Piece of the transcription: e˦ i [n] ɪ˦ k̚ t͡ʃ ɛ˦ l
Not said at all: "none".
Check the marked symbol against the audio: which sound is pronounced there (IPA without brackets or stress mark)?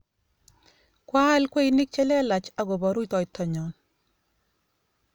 n